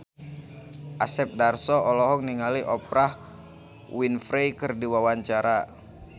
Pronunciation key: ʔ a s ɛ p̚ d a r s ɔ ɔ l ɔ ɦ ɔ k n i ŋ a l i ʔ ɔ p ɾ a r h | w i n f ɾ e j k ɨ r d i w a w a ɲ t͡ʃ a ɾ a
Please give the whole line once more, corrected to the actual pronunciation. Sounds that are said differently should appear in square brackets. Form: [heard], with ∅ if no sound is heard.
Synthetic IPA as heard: ʔ a s ɛ p̚ d a r s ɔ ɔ l ɔ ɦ ɔ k n i ŋ a l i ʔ ɔ p ɾ a [∅] h | w i n f ɾ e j k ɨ r d i w a w a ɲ t͡ʃ a ɾ a